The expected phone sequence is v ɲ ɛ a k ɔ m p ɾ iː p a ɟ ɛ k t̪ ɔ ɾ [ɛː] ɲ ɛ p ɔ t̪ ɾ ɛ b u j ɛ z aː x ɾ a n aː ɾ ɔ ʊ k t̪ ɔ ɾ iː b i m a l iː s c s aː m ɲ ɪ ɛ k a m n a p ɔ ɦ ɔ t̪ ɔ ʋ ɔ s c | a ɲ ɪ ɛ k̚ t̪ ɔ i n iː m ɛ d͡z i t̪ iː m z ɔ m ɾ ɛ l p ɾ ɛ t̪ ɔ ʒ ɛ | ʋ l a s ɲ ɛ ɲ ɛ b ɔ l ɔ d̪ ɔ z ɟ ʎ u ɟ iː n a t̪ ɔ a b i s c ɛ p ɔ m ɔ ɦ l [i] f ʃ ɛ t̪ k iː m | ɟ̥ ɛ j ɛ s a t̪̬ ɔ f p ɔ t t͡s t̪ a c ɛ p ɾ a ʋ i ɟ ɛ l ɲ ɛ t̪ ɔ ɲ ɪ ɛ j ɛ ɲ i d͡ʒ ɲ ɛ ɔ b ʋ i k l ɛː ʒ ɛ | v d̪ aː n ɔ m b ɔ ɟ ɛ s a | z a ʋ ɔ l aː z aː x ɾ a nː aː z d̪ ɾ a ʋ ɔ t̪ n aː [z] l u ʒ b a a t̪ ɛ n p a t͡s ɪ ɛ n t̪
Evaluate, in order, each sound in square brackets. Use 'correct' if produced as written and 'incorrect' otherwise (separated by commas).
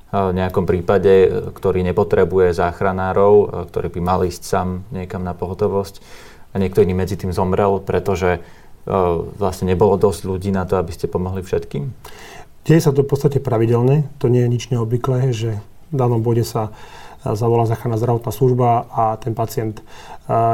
incorrect, correct, incorrect